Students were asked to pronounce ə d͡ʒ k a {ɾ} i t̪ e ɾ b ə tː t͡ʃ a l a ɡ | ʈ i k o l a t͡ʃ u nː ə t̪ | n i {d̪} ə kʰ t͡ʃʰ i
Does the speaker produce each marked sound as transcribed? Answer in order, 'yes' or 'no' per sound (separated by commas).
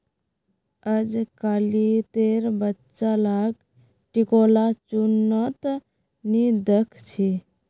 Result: no, yes